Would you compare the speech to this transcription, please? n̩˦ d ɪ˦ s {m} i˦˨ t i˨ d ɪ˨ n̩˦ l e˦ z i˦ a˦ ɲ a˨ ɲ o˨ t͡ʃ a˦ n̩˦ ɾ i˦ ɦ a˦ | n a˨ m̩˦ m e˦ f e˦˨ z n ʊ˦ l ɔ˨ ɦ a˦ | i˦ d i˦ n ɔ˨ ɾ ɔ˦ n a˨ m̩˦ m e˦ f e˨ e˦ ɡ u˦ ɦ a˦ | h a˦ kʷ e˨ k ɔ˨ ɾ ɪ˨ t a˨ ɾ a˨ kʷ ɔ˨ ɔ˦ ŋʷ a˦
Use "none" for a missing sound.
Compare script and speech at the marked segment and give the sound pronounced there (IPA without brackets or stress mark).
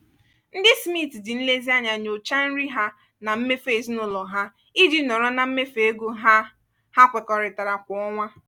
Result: m